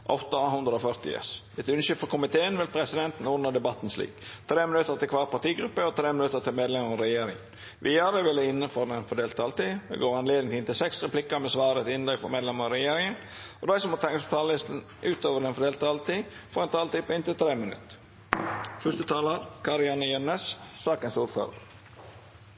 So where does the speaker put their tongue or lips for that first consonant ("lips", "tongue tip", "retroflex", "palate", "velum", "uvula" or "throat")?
throat